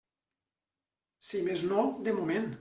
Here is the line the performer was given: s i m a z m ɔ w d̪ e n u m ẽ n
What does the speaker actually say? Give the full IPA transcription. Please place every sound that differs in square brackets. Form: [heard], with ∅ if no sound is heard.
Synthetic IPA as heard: s i m [e] z [n] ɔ w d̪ e [m] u m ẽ n